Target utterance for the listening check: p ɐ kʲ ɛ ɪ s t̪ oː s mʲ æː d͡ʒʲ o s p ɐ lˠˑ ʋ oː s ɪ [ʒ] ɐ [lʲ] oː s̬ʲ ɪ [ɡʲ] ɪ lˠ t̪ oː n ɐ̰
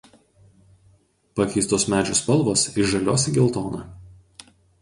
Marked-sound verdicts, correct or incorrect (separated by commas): correct, correct, correct